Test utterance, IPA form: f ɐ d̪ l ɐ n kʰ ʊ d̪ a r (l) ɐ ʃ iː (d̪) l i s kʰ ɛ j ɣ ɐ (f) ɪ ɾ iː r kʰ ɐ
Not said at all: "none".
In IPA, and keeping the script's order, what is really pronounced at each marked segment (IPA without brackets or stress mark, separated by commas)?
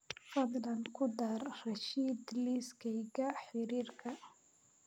r, d̪, ħ